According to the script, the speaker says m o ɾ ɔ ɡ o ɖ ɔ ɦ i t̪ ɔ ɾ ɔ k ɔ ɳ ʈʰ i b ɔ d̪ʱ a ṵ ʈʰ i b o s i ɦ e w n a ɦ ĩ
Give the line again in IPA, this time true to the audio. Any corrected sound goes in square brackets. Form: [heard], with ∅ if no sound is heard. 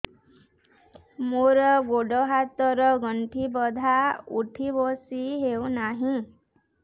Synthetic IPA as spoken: m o ɾ ɔ ɡ o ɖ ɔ ɦ [a] t̪ ɔ ɾ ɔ [ɡ] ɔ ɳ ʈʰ i b ɔ d̪ʱ a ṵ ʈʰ i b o s i ɦ e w n a ɦ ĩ